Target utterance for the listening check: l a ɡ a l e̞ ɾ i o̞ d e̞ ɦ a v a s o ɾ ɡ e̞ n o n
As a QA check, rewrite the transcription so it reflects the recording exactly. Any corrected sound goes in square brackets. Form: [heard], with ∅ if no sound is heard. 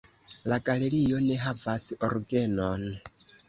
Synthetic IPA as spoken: l a ɡ a l e̞ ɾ i o̞ [n] e̞ ɦ a v a s o ɾ ɡ e̞ n o n

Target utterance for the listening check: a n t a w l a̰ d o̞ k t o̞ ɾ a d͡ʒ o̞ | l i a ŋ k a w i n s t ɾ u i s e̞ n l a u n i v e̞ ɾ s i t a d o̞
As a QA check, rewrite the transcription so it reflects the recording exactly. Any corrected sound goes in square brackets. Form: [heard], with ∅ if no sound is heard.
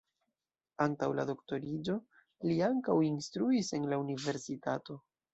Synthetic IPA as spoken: a n t a w l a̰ d o̞ k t o̞ ɾ [i] d͡ʒ o̞ | l i a ŋ k a w i n s t ɾ u i s e̞ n l a u n i v e̞ ɾ s i t a [t] o̞

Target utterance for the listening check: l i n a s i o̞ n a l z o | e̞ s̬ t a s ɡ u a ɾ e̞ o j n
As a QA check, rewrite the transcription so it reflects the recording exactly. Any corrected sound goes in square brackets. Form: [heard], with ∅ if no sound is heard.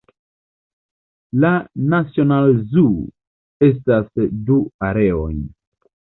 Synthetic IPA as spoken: l [a] n a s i o̞ n a l z [u] | e̞ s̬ t a s [d] u a ɾ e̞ o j n

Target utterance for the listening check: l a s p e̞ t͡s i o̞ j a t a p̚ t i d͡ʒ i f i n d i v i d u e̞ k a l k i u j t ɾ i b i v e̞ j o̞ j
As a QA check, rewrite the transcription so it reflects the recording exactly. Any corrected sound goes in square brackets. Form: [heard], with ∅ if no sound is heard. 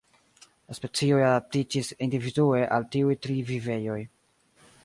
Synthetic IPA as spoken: l a s p e̞ t͡s i o̞ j a [d] a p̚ t i d͡ʒ i [s] i n d i v i d u e̞ [ʔ] a l [t] i u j t ɾ i [v] i v e̞ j o̞ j

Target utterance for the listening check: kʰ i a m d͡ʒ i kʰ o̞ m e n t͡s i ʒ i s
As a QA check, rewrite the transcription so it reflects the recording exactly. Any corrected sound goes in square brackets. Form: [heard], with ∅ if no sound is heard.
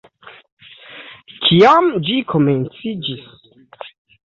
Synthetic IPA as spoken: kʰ i a m d͡ʒ i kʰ o̞ m e n t͡s i [d͡ʒ] i s

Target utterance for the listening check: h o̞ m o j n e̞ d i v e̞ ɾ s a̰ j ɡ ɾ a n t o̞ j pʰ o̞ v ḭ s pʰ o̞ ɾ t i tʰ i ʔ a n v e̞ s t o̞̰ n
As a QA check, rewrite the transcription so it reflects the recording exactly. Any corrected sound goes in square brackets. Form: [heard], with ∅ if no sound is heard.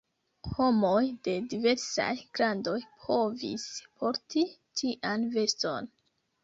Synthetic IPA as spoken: h o̞ m o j [d] e̞ d i v e̞ ɾ s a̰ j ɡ ɾ a n [d] o̞ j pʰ o̞ v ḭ s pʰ o̞ ɾ t i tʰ i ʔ a n v e̞ s t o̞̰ n

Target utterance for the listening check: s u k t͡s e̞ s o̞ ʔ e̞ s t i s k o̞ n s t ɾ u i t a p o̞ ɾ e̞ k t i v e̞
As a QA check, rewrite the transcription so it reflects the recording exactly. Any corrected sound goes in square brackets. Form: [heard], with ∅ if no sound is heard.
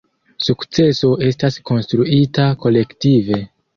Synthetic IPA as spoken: s u k t͡s e̞ s o̞ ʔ e̞ s t [a] s k o̞ n s t ɾ u i t a [k] o̞ [l] e̞ k t i v e̞

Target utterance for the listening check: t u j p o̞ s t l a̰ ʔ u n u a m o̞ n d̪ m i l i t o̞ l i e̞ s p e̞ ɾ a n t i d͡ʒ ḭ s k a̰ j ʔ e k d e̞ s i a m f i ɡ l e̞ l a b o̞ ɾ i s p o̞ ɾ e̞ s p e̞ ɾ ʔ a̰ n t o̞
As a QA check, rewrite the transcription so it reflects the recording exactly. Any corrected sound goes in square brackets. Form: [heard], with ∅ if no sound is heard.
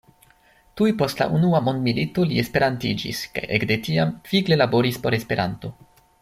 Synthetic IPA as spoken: t u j p o̞ s t l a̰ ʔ u n u a m o̞ n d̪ m i l i t o̞ l i e̞ s p e̞ ɾ a n t i d͡ʒ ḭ s k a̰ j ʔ e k d e̞ [t] i a m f i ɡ l e̞ l a b o̞ ɾ i s p o̞ ɾ e̞ s p e̞ ɾ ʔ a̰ n t o̞

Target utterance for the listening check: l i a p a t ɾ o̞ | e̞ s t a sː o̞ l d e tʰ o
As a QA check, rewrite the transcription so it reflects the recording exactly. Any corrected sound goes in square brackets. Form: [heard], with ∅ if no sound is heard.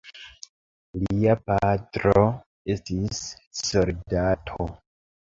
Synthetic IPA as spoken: l i a p a t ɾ o̞ | e̞ s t [i] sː o̞ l d [a] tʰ o

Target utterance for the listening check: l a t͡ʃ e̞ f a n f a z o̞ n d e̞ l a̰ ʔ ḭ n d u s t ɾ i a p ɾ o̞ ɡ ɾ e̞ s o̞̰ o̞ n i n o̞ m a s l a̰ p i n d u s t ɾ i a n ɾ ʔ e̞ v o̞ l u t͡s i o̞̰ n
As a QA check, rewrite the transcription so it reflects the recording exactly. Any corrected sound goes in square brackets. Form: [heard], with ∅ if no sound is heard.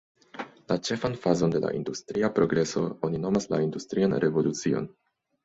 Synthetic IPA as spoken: l a t͡ʃ e̞ f a n f a z o̞ n d e̞ l a̰ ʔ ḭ n d u s t ɾ i a p ɾ o̞ ɡ ɾ e̞ s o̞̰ o̞ n i n o̞ m a s l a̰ [∅] i n d u s t ɾ i a n ɾ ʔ e̞ v o̞ l u t͡s i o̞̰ n

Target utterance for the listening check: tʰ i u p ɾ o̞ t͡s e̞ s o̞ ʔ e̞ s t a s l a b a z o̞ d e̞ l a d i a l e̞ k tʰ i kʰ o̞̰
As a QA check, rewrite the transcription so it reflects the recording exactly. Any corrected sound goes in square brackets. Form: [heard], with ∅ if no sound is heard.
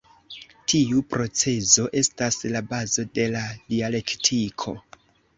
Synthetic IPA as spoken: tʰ i u p ɾ o̞ t͡s e̞ [z] o̞ ʔ e̞ s t a s l a b a z o̞ d e̞ l a d i a l e̞ k tʰ i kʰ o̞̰

